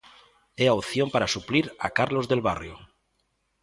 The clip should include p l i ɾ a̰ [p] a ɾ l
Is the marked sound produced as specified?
no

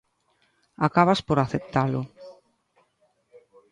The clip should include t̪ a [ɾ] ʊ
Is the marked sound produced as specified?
no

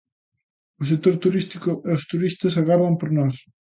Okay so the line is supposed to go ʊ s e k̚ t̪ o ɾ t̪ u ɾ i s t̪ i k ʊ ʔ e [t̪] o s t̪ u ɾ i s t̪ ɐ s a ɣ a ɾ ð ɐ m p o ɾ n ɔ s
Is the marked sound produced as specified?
no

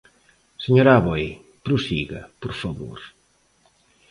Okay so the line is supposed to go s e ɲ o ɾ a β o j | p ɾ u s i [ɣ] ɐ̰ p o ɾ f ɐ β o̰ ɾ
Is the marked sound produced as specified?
yes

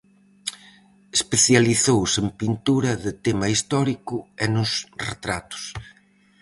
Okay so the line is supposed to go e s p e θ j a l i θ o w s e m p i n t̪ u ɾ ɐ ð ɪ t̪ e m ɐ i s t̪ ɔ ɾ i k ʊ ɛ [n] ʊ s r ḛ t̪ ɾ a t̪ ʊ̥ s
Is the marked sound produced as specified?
yes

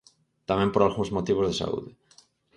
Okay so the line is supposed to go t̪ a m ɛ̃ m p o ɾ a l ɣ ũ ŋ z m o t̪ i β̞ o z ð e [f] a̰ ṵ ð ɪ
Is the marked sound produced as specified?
no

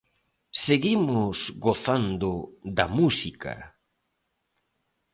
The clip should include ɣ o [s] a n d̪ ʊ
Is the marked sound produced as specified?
no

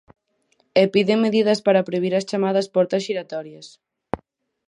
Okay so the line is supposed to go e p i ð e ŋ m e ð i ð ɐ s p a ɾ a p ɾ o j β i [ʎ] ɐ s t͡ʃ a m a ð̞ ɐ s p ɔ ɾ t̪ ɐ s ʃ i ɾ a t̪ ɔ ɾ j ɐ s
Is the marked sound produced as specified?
no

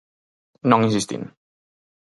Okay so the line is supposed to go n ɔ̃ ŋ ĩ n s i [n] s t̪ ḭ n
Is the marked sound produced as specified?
no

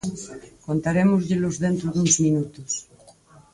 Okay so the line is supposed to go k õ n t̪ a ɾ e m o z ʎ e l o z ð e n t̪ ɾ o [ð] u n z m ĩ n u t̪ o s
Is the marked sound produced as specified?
yes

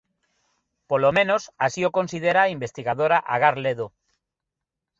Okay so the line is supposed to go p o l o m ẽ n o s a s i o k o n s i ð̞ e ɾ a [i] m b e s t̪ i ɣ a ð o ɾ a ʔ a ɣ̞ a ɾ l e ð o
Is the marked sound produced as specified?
yes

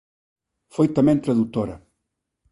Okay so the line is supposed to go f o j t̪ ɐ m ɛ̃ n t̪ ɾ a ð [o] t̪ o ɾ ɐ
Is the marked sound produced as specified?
no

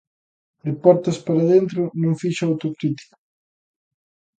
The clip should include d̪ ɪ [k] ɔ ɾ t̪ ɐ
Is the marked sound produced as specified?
no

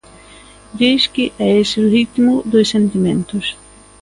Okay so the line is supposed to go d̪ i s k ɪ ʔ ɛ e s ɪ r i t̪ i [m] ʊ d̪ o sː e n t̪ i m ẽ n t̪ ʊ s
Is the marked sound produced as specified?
yes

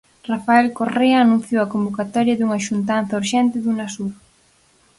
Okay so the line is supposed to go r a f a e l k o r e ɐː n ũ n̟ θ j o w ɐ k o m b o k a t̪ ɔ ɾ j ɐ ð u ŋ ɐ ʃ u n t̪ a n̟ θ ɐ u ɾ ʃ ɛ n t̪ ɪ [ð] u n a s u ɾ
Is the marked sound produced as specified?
yes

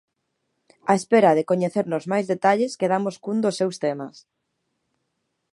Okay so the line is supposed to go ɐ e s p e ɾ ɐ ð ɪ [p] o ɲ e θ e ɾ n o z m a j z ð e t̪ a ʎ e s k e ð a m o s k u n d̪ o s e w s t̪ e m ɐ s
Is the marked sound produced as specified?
no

